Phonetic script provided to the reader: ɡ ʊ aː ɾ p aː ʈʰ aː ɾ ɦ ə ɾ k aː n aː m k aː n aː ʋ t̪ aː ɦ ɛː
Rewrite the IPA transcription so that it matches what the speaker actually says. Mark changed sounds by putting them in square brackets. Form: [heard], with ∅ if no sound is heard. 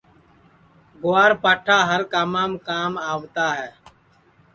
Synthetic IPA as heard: ɡ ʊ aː ɾ p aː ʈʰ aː [∅] ɦ ə ɾ k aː [m] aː m k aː [m] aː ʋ t̪ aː ɦ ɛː